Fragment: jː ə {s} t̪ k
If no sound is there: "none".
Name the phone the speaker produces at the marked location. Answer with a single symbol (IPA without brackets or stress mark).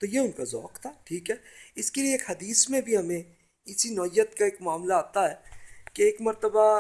none